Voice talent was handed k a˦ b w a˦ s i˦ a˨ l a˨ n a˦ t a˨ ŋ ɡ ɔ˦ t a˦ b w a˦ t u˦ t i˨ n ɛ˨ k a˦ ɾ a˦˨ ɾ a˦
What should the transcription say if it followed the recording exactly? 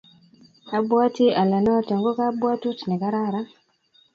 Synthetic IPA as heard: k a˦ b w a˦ t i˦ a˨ l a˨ n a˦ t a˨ ŋ ɡ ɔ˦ k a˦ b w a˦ t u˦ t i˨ n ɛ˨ k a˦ ɾ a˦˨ ɾ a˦